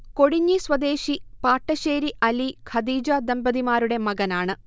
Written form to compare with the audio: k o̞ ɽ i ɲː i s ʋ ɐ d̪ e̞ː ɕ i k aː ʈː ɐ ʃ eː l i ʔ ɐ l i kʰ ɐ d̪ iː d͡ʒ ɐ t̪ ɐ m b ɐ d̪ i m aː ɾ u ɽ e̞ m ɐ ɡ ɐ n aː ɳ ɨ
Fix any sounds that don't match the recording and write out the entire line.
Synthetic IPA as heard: k o̞ ɽ i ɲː i s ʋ ɐ d̪ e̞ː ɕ i p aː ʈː ɐ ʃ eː ɾ i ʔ ɐ l i kʰ ɐ d̪ iː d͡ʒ ɐ d̪ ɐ m b ɐ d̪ i m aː ɾ u ɽ e̞ m ɐ ɡ ɐ n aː ɳ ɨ